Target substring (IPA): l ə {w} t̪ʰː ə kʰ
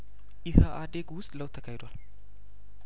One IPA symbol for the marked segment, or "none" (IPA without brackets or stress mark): w